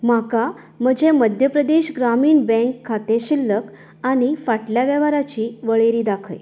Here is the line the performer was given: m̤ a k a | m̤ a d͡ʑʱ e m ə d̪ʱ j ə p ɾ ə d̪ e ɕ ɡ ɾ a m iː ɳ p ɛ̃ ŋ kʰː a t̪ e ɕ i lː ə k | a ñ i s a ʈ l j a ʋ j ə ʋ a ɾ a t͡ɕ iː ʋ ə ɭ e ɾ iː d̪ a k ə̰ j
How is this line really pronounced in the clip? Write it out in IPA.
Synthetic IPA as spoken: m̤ a k a | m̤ ə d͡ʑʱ e m ə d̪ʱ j ə p ɾ ə d̪ e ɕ ɡ ɾ a m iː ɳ b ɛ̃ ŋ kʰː a t̪ e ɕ i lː ə k | a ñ i f a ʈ l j a ʋ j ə ʋ a ɾ a t͡ɕ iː ʋ ə ɭ e ɾ iː d̪ a kʰ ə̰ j